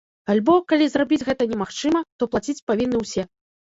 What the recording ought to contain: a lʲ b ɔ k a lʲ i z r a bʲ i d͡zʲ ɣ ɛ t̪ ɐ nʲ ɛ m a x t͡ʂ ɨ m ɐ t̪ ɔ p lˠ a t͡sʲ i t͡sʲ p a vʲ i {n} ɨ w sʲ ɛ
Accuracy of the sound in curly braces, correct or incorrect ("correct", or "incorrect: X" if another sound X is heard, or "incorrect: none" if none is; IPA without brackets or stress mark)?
incorrect: nː